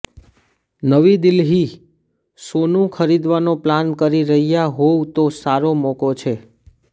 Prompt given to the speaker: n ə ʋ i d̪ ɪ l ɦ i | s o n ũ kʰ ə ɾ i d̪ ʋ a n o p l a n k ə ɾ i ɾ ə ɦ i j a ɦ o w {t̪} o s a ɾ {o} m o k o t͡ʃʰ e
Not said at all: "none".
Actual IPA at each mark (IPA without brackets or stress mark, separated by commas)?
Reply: t̪, o